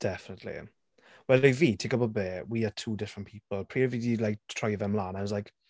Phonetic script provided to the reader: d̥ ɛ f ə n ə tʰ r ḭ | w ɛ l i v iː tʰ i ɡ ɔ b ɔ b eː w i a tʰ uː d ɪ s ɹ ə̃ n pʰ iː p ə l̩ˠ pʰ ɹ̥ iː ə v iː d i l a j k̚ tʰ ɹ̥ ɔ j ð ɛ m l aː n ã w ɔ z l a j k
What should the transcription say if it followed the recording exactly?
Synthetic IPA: d̥ ɛ f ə n ə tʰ l ḭ | w ɛ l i v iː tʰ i ɡ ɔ b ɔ b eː w i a tʰ uː d ɪ f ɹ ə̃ n pʰ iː p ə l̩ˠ pʰ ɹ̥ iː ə v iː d i l a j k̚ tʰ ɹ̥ ɔ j ð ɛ m l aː n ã w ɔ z l a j k